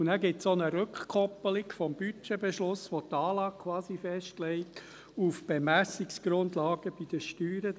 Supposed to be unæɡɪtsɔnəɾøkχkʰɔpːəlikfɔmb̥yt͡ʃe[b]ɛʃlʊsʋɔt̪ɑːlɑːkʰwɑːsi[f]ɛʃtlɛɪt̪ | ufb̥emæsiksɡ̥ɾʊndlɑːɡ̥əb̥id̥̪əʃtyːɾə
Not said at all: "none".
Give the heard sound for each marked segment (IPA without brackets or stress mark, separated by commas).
b, f